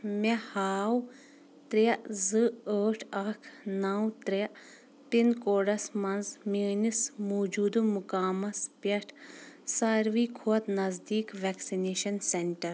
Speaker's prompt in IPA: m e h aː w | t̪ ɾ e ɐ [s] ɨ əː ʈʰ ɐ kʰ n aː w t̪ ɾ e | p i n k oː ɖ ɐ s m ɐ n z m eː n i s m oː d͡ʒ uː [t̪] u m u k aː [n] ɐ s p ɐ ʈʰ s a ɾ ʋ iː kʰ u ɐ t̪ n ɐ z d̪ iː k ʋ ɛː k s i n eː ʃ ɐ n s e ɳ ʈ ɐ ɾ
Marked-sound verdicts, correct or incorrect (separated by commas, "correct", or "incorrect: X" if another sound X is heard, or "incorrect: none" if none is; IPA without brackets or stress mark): incorrect: z, incorrect: d̪, incorrect: m